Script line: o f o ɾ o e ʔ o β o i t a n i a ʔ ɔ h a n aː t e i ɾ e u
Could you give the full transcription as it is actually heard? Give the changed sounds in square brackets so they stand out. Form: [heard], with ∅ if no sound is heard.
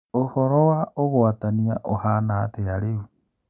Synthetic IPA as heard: o [h] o ɾ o [a] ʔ o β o [a] t a n i a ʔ [o] h a n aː t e [a] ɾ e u